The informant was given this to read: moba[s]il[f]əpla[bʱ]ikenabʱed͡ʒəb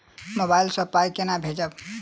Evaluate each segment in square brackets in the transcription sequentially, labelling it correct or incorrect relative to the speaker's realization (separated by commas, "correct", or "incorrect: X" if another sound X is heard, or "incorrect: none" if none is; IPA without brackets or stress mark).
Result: incorrect: none, incorrect: s, incorrect: none